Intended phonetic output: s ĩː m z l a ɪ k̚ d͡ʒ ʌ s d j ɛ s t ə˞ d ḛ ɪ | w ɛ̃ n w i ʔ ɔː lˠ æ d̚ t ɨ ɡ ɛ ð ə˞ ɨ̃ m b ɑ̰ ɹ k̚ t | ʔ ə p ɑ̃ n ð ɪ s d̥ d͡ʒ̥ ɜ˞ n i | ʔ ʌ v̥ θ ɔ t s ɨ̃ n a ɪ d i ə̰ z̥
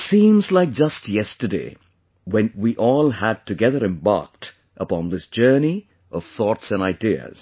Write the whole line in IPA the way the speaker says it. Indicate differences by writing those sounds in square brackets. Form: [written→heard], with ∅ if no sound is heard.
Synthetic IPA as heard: s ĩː m z l a ɪ k̚ d͡ʒ ʌ s [d→t] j ɛ s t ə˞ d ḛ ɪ | w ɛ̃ n w i ʔ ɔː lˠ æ d̚ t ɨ ɡ ɛ ð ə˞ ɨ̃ m b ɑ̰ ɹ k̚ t | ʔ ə p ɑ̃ n ð ɪ s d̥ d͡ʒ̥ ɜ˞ n i | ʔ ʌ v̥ θ ɔ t s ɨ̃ n a ɪ d i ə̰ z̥